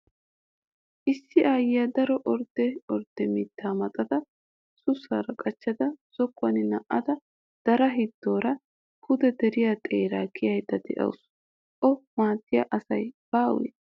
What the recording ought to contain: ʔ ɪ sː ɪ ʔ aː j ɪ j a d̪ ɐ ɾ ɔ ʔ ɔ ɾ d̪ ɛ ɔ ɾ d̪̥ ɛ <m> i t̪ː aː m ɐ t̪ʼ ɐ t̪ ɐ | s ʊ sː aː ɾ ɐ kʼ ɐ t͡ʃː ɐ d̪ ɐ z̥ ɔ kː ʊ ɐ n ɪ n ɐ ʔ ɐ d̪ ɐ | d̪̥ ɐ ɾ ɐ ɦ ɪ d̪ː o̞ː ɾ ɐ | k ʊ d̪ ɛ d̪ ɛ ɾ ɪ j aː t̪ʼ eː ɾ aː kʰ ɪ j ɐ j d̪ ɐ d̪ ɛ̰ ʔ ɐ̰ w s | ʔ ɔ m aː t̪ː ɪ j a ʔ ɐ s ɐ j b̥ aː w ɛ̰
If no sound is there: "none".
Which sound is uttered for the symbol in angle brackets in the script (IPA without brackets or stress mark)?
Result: m